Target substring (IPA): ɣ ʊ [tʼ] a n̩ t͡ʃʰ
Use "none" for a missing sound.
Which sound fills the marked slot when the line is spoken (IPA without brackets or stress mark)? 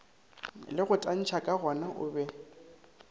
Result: tʼ